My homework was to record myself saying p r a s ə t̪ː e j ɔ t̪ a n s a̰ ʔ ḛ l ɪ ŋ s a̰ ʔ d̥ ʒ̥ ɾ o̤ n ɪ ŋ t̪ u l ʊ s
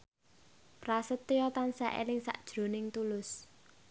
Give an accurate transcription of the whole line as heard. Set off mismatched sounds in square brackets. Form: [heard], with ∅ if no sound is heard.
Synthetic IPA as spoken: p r a s ə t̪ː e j ɔ t̪ a n s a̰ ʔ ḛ l ɪ ŋ s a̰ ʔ d̥ ʒ̥ ɾ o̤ n ɪ ŋ t̪ u l ʊ s